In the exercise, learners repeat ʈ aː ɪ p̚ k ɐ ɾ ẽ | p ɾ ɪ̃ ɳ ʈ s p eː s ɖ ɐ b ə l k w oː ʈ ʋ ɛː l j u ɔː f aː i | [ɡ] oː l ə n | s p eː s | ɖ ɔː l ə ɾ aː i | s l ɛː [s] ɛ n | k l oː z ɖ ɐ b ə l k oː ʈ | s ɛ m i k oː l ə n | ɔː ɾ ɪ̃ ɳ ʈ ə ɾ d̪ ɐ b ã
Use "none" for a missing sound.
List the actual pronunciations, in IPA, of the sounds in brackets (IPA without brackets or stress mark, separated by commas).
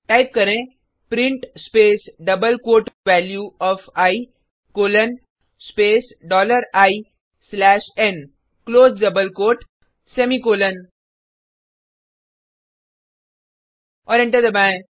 k, ʃ